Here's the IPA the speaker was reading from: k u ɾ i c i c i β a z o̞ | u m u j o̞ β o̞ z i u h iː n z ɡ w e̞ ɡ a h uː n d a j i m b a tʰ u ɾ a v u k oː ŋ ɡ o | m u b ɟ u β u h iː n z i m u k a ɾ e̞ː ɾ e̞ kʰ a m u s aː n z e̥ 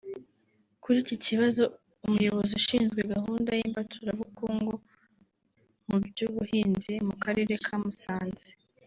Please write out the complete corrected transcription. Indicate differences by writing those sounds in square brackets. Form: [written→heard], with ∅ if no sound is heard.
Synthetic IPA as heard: k u ɾ i c i c i β a z o̞ | u m u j o̞ β o̞ z i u [h→ʃ] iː n z ɡ w e̞ ɡ a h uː n d a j i m b a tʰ u ɾ a [v→β] u k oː ŋ ɡ o | m u b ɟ u β u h iː n z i m u k a ɾ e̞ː ɾ e̞ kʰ a m u s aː n z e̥